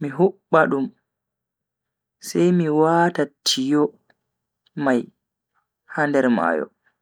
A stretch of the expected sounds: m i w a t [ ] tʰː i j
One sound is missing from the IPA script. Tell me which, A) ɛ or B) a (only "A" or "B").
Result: B